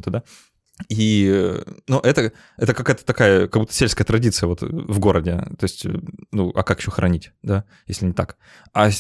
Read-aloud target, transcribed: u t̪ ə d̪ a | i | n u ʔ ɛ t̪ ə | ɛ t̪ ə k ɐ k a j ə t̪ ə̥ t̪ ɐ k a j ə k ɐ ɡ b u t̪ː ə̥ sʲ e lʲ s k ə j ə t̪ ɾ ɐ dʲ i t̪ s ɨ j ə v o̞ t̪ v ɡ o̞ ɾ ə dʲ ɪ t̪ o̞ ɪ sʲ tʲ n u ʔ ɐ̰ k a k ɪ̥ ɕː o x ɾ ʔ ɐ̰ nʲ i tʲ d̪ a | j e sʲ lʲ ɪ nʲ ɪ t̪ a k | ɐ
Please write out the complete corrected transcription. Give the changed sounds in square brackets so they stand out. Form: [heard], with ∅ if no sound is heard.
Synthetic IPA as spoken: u t̪ ə d̪ a | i | n u ʔ ɛ t̪ ə | ɛ t̪ ə k ɐ k a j ə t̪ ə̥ t̪ ɐ k a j ə k ɐ ɡ b u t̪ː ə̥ sʲ e lʲ s k ə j ə t̪ ɾ ɐ dʲ i t̪ s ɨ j ə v o̞ t̪ v ɡ o̞ ɾ ə dʲ ɪ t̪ o̞ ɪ sʲ tʲ n u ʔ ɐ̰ k a k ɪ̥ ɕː o x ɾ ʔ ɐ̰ nʲ i tʲ d̪ a | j e sʲ lʲ ɪ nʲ ɪ t̪ a k | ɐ